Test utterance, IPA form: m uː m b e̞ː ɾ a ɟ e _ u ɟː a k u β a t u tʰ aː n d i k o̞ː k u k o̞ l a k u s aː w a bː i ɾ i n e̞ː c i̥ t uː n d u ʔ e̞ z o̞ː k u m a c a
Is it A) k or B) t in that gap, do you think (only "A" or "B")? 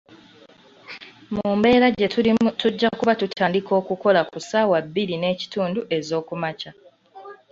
B